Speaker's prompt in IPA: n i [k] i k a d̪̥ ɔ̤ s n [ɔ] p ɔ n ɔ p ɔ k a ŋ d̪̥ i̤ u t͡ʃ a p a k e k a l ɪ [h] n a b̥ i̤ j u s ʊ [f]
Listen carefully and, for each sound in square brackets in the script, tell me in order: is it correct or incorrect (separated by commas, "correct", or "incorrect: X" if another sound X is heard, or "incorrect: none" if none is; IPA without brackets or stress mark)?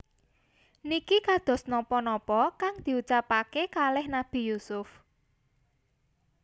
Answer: correct, correct, correct, correct